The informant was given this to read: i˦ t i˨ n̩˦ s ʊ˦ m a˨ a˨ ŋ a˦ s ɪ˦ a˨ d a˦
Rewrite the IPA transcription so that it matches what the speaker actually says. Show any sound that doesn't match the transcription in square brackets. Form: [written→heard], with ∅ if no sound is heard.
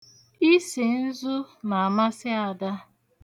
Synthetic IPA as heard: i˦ [t→s] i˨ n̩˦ [s→z] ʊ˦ [m→n] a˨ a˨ [ŋ→m] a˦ s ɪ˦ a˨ d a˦